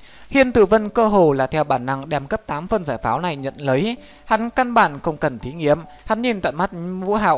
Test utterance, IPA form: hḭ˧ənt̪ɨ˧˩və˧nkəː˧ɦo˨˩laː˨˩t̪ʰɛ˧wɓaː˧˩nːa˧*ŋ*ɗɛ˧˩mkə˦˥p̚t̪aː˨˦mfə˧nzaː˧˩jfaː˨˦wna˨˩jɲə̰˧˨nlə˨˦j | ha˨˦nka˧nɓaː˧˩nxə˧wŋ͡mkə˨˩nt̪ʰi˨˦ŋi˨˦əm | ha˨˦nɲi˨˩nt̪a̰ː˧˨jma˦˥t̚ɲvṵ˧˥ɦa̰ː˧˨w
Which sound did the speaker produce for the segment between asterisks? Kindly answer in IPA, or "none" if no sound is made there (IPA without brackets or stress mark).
ŋ